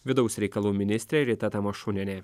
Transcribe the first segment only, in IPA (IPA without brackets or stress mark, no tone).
ʋʲ